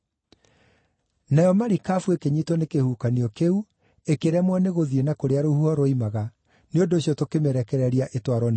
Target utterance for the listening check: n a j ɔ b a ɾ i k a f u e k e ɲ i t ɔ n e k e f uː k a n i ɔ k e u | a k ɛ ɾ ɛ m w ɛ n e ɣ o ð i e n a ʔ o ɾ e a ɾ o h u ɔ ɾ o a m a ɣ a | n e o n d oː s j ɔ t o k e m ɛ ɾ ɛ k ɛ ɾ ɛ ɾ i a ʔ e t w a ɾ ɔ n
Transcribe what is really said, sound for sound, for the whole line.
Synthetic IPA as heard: n a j ɔ m a ɾ i k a f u e k e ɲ i t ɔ n e k e h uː k a n i ɔ k e u | e k e ɾ ɛ m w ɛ n e ɣ o ð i e n a k o ɾ e a ɾ o h u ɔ ɾ o i m a ɣ a | n e o n d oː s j ɔ t o k e m ɛ ɾ ɛ k ɛ ɾ ɛ ɾ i a ʔ e t w a ɾ ɔ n